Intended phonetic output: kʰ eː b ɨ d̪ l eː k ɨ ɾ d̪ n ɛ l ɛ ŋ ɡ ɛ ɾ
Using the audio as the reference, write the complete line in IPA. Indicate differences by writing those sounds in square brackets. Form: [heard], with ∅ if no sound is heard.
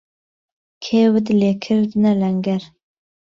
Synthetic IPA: kʰ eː [w] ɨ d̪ l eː [kʰ] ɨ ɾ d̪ n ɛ l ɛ ŋ ɡ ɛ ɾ